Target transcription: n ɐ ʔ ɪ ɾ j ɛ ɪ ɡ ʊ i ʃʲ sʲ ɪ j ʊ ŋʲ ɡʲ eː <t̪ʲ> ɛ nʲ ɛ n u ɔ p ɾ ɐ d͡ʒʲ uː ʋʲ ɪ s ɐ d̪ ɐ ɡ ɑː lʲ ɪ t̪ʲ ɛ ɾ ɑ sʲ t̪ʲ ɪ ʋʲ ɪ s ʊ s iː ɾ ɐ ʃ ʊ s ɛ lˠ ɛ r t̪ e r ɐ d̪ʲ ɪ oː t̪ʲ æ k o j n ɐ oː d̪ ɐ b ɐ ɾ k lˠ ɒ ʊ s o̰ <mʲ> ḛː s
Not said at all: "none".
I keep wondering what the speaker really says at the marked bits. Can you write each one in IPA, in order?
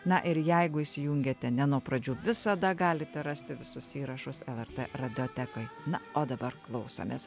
t̪ʲ, mʲ

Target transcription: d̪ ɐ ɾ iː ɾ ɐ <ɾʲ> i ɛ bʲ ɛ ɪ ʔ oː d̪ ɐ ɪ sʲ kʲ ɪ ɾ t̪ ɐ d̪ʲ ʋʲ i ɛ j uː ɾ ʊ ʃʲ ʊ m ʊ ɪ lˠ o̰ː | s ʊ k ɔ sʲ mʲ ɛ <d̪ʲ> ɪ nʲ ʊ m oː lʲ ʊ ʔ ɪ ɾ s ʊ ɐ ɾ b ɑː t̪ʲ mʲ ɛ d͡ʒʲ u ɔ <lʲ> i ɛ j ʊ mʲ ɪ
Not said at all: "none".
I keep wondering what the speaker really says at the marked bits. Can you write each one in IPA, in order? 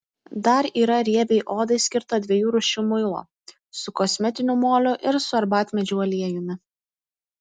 ɾʲ, t̪ʲ, lʲ

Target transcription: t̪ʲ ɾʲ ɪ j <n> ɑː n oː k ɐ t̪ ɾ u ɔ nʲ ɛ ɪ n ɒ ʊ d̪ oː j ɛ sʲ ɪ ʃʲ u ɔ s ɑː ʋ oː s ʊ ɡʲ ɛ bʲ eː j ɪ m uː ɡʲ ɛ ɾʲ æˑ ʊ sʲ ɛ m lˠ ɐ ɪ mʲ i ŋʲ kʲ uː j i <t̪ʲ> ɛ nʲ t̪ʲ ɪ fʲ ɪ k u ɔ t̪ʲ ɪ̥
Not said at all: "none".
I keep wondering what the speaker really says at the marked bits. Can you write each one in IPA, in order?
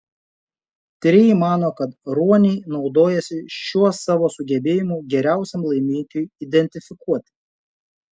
m, d̪ʲ

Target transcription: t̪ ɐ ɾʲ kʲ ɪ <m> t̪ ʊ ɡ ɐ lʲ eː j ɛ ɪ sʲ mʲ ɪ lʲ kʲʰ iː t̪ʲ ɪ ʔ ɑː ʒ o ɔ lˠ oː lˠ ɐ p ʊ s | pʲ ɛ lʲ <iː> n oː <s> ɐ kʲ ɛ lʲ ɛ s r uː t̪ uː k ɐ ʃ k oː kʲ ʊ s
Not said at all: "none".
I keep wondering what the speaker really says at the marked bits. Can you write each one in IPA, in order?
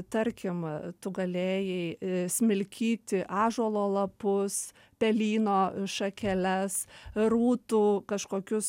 m, iː, ʃ

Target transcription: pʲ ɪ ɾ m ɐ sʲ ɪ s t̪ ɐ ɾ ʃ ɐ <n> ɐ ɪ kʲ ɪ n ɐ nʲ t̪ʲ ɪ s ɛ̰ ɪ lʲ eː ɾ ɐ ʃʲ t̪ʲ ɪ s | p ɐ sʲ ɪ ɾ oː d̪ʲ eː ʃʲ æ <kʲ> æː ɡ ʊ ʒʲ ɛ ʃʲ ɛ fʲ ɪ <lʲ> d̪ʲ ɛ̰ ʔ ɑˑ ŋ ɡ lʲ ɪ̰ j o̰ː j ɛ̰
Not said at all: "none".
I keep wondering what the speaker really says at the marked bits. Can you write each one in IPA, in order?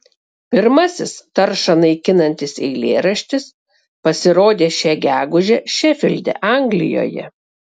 n, ɡʲ, lʲ

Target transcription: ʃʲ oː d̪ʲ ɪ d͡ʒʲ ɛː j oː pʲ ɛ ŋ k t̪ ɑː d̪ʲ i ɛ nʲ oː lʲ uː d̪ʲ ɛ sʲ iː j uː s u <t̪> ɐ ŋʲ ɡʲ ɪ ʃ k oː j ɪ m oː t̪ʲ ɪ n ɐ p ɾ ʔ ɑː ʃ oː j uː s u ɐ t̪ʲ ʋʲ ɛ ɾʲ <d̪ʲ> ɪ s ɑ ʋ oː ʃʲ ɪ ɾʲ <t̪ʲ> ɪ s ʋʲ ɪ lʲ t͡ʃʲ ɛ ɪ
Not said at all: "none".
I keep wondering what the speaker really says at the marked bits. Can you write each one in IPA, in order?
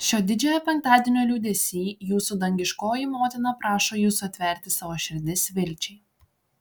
d̪, t̪ʲ, d̪ʲ

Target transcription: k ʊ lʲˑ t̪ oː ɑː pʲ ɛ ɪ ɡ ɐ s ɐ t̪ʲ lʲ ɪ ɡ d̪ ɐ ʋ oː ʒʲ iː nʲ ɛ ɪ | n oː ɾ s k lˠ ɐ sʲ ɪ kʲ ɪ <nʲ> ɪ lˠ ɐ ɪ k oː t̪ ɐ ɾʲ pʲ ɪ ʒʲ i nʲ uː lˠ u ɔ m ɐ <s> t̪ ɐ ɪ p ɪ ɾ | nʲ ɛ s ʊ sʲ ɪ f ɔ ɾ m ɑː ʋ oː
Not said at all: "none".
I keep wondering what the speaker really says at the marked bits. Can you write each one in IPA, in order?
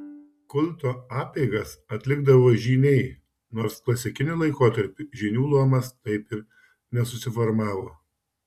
nʲ, s

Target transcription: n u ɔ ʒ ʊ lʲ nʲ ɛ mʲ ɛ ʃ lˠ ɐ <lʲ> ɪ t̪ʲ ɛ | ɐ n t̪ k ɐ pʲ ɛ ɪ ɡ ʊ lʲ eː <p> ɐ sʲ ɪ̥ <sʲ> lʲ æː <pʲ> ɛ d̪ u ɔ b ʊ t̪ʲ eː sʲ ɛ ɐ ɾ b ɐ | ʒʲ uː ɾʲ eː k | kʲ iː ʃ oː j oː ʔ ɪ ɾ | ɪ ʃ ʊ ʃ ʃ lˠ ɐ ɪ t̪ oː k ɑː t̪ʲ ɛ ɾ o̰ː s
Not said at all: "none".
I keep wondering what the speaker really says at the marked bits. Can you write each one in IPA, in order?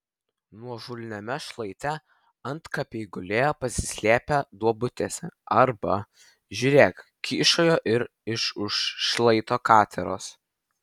none, p, sʲ, pʲ

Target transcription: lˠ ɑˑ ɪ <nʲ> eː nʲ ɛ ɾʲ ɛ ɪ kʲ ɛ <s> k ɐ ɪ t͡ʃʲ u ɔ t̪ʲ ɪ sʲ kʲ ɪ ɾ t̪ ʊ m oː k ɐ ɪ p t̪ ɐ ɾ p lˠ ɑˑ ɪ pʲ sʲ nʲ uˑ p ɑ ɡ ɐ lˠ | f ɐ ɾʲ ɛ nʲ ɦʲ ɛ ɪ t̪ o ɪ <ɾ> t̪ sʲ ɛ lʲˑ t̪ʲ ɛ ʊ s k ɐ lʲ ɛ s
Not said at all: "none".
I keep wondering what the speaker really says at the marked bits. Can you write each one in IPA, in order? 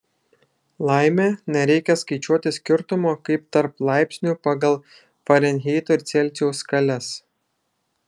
mʲ, s, ɾ

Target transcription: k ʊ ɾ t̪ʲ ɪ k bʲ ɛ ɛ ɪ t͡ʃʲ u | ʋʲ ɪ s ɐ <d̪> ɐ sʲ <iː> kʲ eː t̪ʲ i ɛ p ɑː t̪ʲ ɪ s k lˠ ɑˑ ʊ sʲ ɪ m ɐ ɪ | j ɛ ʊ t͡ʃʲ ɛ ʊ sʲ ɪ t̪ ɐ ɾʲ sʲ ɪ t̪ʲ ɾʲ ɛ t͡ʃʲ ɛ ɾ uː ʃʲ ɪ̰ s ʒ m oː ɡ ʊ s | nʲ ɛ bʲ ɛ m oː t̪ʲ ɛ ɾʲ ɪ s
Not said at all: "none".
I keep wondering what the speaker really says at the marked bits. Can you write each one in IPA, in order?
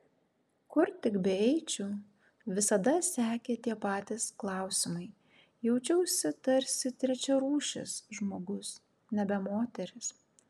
d̪, æː

